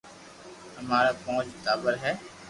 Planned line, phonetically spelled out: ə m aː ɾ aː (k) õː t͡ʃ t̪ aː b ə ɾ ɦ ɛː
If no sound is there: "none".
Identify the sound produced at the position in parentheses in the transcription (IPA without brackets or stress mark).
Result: p